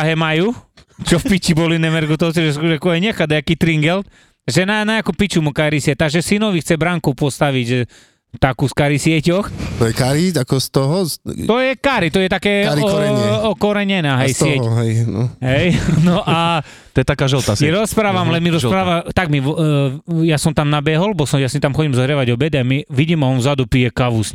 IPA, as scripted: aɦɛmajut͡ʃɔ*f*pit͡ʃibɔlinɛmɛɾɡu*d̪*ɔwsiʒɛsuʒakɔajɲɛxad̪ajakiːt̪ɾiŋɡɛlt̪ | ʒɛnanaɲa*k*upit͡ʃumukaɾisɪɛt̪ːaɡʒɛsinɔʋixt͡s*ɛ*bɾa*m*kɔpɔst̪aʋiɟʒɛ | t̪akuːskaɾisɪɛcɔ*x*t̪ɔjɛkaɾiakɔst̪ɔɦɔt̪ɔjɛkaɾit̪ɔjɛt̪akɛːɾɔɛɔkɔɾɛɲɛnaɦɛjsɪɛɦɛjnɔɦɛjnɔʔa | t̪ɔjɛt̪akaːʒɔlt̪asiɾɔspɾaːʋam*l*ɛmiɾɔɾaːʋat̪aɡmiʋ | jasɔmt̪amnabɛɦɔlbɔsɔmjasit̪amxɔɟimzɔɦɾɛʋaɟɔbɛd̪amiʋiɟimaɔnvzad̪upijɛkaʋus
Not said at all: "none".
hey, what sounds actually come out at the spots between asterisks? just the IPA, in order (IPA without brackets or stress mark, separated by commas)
f, t̪, k, ɛ, ŋ, x, l